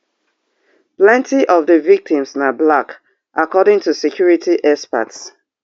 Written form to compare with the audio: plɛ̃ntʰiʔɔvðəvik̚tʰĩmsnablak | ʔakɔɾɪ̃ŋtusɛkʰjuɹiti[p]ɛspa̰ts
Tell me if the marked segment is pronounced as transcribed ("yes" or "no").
no